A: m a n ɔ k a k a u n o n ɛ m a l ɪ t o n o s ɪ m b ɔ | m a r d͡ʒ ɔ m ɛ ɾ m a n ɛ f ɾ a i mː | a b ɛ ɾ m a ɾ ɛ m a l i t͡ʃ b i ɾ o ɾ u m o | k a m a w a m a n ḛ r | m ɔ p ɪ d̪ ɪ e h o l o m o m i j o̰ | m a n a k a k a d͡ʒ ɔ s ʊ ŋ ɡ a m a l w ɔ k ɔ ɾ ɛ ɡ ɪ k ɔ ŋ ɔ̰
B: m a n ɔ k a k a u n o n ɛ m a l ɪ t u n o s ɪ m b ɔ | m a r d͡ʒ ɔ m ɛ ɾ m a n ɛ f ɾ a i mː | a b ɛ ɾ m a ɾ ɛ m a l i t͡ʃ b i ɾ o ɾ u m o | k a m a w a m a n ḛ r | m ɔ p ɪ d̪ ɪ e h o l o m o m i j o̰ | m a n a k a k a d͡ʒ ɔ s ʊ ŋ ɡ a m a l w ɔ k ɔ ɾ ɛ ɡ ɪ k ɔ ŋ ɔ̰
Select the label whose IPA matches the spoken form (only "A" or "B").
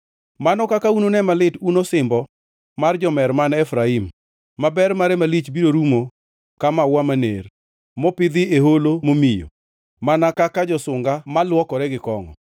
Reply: B